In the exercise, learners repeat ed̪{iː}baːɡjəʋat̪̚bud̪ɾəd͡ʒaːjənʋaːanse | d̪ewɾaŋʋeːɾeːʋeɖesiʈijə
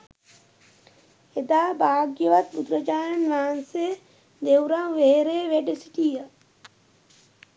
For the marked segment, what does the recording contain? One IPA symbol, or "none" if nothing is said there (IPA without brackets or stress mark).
aː